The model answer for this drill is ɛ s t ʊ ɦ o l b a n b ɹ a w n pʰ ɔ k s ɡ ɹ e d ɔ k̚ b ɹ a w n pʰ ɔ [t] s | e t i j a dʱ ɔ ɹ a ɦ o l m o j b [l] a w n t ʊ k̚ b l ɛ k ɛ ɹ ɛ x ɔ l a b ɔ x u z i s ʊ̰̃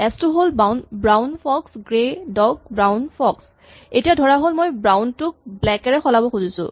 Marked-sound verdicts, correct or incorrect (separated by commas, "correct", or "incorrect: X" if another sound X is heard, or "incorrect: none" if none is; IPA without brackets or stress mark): incorrect: k, incorrect: ɹ